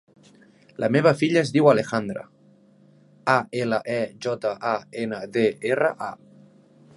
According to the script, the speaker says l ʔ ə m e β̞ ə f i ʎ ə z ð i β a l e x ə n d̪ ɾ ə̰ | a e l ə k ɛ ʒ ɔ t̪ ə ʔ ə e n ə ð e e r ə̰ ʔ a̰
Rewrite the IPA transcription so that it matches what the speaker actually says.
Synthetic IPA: l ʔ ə m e β̞ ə f i ʎ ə z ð i w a l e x a n d̪ ɾ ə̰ | a e l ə ʔ ɛ ʒ ɔ t̪ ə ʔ a e n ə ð e e r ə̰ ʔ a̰